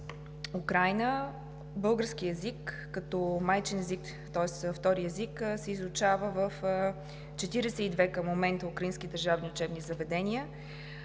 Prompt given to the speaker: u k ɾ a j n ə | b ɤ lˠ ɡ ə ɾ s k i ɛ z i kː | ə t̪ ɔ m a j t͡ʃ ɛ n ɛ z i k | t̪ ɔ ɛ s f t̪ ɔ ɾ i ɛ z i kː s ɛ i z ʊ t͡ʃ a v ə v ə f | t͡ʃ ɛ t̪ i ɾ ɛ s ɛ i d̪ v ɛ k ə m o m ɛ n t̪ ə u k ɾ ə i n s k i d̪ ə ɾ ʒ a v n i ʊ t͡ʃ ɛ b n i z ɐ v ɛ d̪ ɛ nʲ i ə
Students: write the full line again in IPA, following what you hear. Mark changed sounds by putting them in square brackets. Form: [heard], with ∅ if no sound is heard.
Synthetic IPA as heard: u k ɾ a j n ə | b ɤ lˠ ɡ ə ɾ s k i ɛ z i kː | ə t̪ ɔ m a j t͡ʃ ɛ n ɛ z i k | t̪ ɔ ɛ s f t̪ ɔ ɾ i ɛ z i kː s ɛ i z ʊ t͡ʃ a v ə v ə f | t͡ʃ ɛ t̪ i ɾ ɛ s ɛ i d̪ v ɛ k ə m o m ɛ n t̪ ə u k ɾ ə i n s k i d̪ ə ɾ ʒ a v n i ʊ t͡ʃ ɛ b n i z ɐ v ɛ d̪ ɛ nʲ i ə